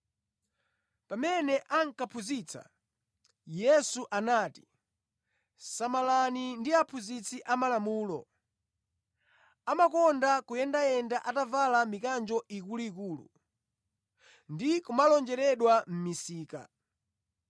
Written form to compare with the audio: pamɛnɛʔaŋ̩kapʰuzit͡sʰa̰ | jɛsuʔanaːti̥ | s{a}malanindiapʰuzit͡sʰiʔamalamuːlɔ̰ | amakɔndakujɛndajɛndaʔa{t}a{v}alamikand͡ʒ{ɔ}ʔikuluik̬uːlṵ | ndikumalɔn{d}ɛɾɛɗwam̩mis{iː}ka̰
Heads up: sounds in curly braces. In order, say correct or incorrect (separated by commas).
correct, correct, correct, correct, incorrect, correct